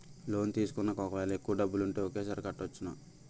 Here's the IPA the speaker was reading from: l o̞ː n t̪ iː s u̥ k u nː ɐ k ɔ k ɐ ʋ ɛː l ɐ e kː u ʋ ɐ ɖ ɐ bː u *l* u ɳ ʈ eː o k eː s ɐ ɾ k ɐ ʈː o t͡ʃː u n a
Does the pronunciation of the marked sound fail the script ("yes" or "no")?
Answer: no